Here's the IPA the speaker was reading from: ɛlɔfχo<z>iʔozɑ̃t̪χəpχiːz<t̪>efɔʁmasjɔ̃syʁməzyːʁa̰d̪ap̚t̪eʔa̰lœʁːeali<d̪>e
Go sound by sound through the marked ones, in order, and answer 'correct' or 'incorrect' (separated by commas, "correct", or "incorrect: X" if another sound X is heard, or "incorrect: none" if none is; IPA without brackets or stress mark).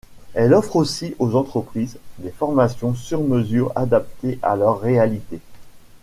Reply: incorrect: s, incorrect: d̪, incorrect: t̪